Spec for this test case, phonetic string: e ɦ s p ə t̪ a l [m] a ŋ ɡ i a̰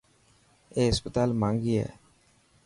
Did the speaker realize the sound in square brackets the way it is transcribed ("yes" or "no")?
yes